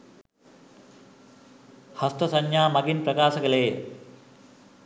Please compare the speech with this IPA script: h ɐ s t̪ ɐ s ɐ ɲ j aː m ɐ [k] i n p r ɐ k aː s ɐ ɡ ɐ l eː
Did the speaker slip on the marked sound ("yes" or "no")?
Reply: yes